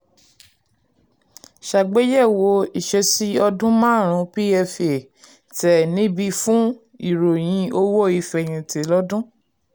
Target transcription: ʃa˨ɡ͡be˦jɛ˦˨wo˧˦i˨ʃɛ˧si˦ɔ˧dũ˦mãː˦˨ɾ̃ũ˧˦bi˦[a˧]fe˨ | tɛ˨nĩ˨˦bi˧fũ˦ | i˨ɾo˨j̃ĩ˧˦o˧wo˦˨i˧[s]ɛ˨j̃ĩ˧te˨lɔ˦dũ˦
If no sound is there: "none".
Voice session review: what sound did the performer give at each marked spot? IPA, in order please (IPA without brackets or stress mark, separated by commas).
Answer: ɛ˧, f